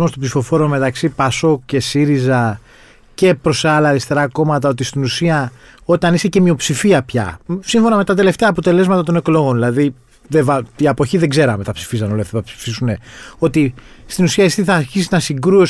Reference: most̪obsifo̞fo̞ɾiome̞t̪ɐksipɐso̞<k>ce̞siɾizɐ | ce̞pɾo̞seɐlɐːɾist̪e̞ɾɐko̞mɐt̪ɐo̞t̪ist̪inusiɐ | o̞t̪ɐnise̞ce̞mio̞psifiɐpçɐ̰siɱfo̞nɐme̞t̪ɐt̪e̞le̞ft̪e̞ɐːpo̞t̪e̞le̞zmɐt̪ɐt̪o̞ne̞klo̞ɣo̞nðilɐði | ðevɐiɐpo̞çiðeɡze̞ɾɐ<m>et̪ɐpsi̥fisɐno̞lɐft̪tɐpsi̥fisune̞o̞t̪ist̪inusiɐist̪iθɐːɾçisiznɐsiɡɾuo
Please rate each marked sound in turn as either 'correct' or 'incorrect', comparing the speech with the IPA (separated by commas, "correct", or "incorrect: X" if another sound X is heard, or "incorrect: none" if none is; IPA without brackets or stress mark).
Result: correct, correct